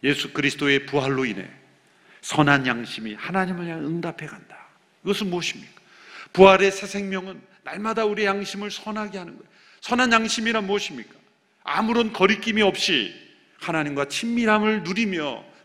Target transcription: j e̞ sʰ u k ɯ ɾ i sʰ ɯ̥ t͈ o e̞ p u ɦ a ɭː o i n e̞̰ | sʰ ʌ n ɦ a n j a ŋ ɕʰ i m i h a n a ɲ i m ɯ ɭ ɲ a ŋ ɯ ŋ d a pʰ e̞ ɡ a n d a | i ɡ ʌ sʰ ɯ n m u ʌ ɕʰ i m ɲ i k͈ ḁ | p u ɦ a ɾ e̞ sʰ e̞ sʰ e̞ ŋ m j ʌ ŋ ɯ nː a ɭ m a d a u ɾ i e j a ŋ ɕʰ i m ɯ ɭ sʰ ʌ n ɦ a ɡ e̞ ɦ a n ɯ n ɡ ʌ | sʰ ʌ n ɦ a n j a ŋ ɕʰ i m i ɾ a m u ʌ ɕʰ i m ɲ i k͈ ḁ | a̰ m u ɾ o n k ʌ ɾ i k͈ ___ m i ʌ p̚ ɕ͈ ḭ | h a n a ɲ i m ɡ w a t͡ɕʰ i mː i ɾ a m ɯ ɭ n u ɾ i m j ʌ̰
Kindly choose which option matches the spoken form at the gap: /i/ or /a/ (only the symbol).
i